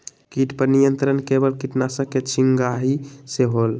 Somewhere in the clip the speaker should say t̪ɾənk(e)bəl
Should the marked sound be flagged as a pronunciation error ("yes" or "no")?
no